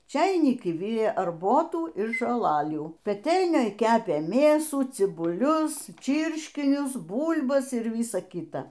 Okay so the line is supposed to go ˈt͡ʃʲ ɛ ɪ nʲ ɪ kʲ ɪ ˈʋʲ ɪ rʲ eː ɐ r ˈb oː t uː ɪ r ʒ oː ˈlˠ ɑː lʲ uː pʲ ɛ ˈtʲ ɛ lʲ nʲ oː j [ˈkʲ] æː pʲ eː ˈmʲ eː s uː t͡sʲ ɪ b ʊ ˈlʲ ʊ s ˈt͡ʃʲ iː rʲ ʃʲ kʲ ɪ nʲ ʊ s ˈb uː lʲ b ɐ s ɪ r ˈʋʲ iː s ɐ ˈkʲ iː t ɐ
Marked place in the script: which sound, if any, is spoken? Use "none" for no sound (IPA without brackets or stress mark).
kʲ